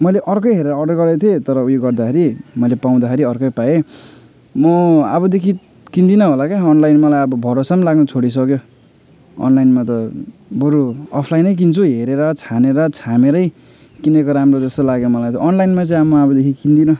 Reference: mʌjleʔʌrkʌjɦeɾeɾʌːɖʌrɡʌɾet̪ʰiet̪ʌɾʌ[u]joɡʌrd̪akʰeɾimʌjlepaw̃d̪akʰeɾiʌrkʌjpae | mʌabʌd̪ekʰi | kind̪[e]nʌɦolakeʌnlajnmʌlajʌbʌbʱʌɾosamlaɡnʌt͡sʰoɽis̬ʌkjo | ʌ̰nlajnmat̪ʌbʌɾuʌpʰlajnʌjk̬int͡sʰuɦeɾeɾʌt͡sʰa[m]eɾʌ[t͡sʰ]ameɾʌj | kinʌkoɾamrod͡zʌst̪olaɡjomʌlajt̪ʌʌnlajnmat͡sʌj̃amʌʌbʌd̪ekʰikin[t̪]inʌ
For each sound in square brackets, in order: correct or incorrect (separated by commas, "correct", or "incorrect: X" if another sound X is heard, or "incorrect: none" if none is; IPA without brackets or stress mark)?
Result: correct, incorrect: i, incorrect: n, correct, incorrect: d̪